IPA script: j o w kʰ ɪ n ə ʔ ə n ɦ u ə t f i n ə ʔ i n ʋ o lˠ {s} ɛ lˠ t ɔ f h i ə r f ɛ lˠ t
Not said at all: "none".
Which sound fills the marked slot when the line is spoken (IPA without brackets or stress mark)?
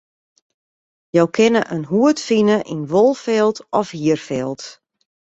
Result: f